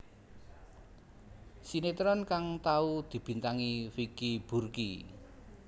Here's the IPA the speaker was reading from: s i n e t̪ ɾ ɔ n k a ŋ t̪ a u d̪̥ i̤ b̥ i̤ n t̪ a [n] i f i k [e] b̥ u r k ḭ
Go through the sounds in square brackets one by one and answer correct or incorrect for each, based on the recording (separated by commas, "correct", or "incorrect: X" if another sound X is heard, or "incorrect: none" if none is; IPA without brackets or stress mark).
incorrect: ŋ, incorrect: i